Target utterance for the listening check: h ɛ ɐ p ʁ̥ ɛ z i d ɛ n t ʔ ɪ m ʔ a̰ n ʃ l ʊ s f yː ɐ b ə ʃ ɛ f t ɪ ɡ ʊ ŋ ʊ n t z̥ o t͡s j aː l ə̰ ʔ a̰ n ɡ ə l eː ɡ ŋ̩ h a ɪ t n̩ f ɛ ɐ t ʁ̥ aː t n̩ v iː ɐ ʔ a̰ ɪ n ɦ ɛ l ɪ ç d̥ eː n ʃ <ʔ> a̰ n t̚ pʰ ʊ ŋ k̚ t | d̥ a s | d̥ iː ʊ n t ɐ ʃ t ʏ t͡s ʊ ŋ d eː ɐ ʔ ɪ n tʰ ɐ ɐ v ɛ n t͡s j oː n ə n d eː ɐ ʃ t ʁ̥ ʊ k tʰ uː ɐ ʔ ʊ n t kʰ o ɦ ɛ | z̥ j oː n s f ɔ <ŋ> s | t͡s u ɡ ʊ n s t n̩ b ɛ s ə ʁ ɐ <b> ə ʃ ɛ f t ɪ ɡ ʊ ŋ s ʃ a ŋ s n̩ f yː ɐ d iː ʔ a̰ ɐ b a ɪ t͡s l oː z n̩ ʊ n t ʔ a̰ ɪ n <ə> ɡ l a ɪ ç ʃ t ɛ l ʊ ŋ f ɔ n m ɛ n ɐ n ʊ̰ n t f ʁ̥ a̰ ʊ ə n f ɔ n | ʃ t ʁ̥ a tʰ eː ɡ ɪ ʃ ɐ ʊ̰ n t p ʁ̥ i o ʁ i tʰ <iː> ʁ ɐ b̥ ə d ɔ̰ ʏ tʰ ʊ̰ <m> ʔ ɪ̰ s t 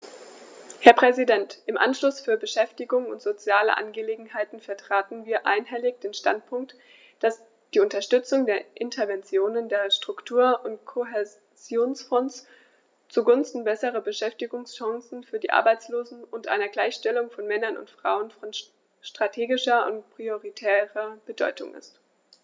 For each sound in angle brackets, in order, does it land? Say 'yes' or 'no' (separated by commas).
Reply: no, no, yes, no, no, no